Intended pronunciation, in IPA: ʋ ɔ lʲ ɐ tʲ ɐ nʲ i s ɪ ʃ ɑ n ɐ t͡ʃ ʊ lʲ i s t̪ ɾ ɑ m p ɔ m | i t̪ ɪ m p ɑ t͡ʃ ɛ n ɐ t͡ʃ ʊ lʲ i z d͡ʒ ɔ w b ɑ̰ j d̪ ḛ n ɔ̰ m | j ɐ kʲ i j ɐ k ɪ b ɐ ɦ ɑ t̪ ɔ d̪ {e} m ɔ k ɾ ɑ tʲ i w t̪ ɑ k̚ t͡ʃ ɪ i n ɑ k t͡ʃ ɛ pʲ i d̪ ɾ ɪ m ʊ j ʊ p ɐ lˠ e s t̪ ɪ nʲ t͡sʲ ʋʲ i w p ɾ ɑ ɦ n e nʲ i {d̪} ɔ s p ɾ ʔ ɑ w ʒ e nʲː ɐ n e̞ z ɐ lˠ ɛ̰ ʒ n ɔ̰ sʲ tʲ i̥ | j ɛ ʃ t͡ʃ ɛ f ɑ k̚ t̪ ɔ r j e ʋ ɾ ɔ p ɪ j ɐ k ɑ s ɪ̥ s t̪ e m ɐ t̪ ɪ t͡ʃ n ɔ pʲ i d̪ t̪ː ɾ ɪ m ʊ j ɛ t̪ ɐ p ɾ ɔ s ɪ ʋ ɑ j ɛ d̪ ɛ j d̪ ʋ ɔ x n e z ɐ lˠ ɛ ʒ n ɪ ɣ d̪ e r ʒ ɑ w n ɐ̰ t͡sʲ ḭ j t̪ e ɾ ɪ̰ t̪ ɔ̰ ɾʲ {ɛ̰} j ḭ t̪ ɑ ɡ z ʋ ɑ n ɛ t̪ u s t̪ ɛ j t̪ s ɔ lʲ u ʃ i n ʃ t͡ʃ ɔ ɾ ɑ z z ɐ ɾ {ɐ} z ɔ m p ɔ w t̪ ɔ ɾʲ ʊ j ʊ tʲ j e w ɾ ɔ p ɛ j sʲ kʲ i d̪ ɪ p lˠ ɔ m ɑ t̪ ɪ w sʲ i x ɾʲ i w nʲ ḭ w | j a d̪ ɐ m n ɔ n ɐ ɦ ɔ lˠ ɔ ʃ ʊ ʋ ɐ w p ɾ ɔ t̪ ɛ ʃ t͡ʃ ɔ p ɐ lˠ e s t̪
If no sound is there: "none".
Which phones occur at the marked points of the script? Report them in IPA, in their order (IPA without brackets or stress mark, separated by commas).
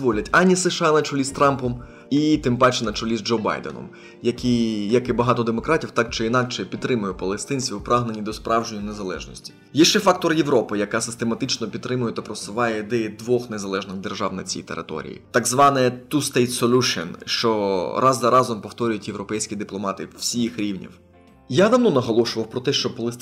e, d̪, ḭ, ɑ